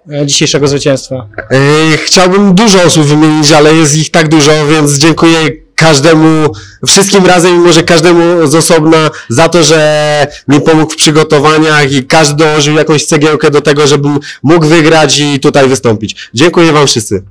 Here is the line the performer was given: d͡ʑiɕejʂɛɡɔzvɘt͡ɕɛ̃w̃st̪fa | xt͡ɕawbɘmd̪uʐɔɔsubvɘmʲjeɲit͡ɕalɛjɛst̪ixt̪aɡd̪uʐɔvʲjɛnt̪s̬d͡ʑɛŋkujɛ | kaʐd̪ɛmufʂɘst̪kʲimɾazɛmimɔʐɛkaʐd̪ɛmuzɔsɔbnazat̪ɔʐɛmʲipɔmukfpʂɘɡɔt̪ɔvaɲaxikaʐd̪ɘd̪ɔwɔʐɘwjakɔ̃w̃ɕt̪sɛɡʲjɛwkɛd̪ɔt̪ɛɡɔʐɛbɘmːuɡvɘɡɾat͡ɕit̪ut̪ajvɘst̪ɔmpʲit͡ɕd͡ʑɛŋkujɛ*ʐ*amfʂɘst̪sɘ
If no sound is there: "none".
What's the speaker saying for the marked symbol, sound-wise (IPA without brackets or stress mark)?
v